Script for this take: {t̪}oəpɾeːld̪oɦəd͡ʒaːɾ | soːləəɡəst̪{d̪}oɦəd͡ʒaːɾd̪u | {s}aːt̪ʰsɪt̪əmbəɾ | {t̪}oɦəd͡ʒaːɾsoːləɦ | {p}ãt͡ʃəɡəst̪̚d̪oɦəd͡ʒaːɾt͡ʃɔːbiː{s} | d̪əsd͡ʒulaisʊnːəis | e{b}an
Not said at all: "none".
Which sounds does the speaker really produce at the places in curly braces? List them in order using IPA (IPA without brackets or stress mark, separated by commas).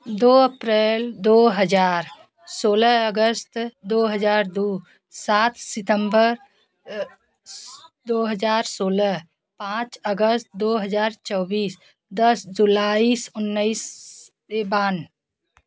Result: d̪, d̪, s, d̪, p, s, b